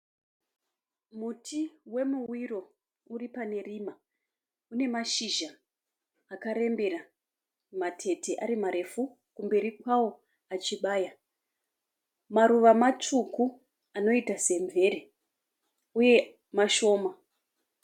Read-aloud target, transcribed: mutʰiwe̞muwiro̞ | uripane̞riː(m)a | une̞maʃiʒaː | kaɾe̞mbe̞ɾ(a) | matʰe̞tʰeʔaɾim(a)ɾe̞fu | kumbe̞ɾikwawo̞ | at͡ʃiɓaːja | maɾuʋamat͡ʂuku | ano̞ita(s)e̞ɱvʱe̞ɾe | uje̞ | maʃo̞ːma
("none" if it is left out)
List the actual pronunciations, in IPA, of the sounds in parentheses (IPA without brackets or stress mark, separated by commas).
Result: m, a, a, s